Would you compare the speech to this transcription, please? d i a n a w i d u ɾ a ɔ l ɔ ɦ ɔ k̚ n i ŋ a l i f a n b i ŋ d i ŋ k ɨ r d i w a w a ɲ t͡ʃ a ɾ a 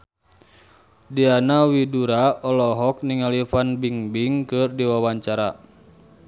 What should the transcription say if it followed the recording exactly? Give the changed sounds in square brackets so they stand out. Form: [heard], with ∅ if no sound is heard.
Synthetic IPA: d i a n a w i d u ɾ a ɔ l ɔ ɦ ɔ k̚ n i ŋ a l i f a n b i ŋ [b] i ŋ k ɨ r d i w a w a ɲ t͡ʃ a ɾ a